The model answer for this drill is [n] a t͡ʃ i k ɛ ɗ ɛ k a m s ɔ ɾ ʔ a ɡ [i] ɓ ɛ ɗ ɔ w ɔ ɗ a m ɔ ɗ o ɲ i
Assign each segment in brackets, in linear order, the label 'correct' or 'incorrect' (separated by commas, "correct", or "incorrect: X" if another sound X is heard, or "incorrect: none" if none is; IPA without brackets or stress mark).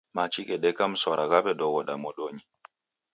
incorrect: m, incorrect: a